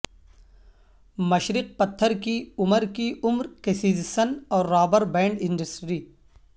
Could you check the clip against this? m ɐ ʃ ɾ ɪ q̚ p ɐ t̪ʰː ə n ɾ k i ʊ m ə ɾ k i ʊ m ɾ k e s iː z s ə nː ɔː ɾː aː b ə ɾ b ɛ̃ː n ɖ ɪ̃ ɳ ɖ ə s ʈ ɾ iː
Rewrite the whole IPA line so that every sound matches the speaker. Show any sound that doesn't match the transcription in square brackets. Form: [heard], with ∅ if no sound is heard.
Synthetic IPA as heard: m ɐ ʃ ɾ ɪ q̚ p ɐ t̪ʰː ə [∅] ɾ k i ʊ m ə ɾ k i ʊ m ɾ k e s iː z s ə [n] ɔː ɾː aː b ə ɾ b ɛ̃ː [ɳ] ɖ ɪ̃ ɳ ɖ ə s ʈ ɾ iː